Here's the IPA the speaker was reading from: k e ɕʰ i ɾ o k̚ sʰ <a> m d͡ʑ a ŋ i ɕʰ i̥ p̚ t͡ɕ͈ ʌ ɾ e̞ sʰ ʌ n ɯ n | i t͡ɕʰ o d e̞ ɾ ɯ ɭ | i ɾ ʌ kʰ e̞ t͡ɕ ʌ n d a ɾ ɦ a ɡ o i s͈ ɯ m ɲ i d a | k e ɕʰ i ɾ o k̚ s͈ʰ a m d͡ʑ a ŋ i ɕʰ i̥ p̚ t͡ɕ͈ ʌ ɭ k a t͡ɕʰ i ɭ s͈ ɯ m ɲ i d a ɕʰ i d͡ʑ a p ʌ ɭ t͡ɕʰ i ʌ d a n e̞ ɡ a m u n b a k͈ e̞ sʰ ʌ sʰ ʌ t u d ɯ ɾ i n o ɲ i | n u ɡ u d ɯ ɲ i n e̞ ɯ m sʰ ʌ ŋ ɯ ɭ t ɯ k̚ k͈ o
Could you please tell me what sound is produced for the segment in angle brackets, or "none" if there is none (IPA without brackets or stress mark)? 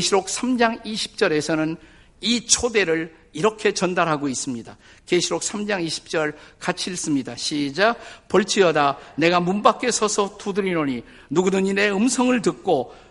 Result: a